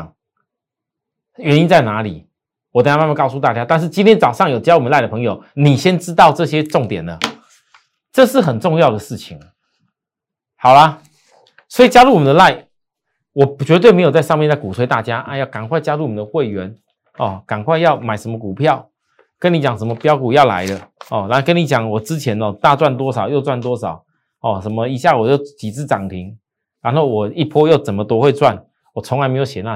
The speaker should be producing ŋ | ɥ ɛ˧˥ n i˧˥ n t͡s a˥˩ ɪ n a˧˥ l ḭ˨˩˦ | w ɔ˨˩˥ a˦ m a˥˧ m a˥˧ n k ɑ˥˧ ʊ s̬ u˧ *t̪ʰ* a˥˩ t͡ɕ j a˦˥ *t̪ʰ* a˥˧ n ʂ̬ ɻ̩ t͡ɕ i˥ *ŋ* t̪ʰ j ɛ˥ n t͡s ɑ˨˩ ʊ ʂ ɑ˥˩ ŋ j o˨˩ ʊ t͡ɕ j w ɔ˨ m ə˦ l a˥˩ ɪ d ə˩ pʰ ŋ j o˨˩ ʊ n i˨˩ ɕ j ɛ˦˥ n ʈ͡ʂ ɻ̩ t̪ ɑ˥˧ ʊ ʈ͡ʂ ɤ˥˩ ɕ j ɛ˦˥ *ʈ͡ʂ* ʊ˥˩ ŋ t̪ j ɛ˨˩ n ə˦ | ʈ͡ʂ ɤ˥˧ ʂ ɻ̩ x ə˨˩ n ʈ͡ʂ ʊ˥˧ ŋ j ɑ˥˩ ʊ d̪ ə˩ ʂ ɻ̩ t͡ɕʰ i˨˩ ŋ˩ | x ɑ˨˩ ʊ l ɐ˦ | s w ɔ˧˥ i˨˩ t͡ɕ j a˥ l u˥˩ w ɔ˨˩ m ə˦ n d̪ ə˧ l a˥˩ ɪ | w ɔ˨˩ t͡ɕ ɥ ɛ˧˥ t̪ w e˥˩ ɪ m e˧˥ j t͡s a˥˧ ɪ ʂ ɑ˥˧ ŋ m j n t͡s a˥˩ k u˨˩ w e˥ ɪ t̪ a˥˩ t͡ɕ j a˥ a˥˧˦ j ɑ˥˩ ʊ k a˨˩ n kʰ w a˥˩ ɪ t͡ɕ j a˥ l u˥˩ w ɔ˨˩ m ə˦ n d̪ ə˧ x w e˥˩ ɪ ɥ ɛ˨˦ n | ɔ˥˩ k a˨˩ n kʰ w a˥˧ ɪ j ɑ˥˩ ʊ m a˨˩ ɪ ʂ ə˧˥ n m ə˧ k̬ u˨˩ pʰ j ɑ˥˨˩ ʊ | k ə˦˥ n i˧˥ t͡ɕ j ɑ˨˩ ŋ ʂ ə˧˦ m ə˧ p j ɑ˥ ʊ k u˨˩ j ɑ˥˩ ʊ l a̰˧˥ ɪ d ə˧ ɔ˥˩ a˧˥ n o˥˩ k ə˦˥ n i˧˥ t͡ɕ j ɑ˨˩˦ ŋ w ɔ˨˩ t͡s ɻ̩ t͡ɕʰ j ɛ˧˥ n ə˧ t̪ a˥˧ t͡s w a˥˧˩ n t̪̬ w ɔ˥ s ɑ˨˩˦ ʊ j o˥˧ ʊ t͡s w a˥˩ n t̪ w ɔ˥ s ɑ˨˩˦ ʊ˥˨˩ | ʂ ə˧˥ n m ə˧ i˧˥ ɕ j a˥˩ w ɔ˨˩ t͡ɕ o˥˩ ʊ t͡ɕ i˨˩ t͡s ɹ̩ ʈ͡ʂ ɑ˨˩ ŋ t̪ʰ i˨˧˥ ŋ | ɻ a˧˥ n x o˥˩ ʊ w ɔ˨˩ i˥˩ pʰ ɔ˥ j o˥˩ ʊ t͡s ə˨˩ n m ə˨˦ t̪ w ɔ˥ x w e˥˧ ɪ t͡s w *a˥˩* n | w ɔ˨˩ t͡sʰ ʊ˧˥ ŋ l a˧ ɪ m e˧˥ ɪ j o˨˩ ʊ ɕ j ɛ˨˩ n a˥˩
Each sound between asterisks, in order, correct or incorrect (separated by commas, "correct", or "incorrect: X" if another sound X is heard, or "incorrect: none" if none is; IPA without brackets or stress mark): incorrect: t̪, incorrect: t̪, incorrect: n, correct, correct